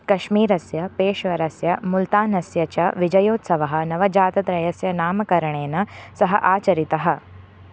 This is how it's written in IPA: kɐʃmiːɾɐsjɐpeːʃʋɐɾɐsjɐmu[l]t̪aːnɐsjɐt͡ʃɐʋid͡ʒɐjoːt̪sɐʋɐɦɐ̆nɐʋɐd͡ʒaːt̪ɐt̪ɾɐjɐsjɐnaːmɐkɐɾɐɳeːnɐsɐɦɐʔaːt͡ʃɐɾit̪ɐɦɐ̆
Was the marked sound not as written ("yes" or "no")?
no